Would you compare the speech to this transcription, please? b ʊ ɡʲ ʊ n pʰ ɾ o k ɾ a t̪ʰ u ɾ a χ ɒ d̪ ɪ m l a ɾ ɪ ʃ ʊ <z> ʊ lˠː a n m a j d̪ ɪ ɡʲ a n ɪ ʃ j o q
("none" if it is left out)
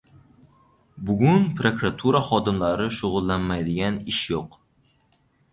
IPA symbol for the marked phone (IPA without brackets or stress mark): ʁ